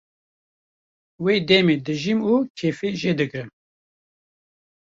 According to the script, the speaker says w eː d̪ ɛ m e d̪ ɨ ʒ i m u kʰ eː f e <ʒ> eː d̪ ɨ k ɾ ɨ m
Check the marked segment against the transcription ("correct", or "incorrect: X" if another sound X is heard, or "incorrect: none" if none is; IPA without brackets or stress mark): correct